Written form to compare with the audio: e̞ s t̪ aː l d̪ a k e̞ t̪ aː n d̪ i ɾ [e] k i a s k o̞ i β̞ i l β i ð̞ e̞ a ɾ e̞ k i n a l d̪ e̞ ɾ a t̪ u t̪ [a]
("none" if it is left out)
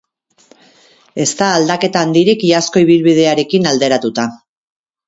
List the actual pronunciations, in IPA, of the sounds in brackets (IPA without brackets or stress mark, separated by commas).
i, a